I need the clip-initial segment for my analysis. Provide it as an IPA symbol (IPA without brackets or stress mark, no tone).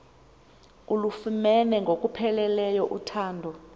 u